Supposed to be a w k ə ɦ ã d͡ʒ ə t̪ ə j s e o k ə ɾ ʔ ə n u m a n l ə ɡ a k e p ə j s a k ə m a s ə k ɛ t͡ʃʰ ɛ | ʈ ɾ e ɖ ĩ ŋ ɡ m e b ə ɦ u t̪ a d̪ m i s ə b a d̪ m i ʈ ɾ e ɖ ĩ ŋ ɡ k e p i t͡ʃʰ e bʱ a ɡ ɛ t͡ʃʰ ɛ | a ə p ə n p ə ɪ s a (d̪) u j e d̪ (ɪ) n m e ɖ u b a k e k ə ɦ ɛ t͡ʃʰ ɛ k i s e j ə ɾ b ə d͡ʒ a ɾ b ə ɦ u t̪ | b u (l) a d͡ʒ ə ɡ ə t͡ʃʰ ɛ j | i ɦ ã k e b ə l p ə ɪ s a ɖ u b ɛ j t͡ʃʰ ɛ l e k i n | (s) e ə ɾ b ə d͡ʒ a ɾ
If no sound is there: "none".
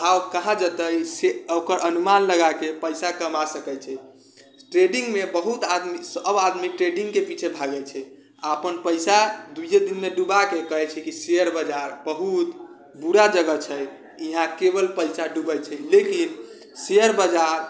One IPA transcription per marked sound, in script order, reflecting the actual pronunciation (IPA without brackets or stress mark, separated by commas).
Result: d̪, i, ɾ, s